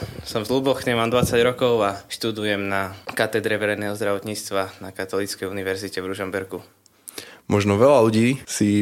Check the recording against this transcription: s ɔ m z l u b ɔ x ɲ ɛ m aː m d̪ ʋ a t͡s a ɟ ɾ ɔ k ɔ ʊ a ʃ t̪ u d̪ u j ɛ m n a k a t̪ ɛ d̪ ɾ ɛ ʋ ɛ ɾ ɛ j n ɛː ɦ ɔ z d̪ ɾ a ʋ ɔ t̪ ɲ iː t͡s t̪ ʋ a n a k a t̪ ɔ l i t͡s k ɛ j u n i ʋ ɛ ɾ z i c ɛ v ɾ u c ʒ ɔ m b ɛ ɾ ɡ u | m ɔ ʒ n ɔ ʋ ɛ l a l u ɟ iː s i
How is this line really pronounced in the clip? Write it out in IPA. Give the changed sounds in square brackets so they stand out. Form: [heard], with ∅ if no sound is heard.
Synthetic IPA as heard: s ɔ m z l u b ɔ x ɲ ɛ m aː m d̪ ʋ a t͡s a ɟ ɾ ɔ k ɔ ʊ a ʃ t̪ u d̪ u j ɛ m n a k a t̪ ɛ d̪ ɾ ɛ ʋ ɛ ɾ ɛ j n ɛː ɦ ɔ z d̪ ɾ a ʋ ɔ t̪ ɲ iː t͡s t̪ ʋ a n a k a t̪ ɔ l i t͡s k ɛ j u n i ʋ ɛ ɾ z i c ɛ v ɾ u [∅] ʒ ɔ m b ɛ ɾ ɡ u | m ɔ ʒ n ɔ ʋ ɛ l a l u ɟ iː s i